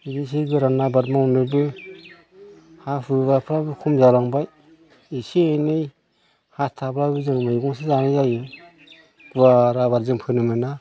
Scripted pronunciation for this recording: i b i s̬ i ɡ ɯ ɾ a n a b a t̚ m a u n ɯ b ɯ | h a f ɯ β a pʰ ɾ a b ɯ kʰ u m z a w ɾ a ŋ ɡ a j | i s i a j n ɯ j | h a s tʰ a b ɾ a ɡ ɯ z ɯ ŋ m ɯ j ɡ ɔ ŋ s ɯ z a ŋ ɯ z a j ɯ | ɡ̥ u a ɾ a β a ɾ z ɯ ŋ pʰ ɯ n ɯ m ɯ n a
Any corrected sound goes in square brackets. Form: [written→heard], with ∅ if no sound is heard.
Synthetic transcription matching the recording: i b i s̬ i ɡ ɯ ɾ a n a b a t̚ m a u n ɯ b ɯ | h a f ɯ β a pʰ ɾ a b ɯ kʰ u m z a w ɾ a ŋ [ɡ→b] a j | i s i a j n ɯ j | h a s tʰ a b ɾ a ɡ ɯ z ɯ ŋ m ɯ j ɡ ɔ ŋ s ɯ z a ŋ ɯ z a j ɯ | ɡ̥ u a ɾ a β a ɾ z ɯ ŋ pʰ ɯ n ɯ m ɯ n a